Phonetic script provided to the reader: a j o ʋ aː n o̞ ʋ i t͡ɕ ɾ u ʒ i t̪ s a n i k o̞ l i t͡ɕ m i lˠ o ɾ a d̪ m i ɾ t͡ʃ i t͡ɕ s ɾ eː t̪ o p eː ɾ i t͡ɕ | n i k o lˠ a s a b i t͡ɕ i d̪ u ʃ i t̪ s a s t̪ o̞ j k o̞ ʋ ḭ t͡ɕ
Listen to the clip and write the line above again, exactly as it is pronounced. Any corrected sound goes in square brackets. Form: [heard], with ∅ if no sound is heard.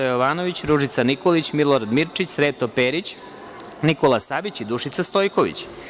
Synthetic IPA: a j o ʋ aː n o̞ ʋ i t͡ɕ ɾ u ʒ i t̪ s a n i k o̞ l i t͡ɕ m i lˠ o ɾ a d̪ m i ɾ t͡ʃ i t͡ɕ s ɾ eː t̪ o p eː ɾ i t͡ɕ | n i k o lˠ a s a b i t͡ɕ i d̪ u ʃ i t̪ s a s t̪ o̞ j k o̞ ʋ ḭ t͡ɕ